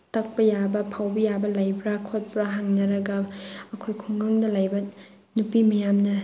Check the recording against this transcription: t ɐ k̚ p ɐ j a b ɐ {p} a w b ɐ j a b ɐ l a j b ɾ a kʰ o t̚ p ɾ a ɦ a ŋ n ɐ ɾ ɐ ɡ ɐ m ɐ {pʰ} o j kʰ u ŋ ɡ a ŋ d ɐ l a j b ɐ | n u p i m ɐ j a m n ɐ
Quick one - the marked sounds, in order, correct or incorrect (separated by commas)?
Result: incorrect, incorrect